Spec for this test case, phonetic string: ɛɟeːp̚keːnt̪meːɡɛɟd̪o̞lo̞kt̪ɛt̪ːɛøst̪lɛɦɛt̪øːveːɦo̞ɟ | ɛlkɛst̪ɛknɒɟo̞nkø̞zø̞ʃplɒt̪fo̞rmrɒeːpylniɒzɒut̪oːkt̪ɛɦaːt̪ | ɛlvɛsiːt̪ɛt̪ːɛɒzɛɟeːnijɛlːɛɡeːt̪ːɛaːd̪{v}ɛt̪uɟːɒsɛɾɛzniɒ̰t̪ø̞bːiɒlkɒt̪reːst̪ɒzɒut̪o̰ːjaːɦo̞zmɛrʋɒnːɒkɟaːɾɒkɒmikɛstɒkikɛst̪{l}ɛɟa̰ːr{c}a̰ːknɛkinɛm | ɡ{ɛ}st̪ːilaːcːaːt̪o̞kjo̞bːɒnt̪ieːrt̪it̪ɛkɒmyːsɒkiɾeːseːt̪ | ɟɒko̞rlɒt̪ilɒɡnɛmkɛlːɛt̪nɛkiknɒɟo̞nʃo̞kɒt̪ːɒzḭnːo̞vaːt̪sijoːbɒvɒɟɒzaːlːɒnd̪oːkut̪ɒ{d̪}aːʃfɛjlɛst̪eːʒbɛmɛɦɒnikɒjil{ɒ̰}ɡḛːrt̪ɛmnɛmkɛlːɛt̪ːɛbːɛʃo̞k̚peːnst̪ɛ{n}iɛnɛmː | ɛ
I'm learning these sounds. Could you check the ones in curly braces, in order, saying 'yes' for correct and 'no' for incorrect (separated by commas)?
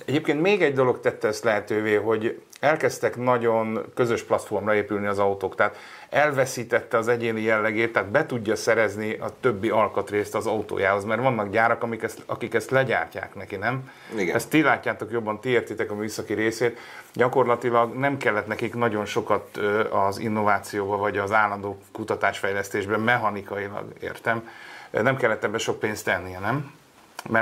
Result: no, yes, yes, yes, no, yes, no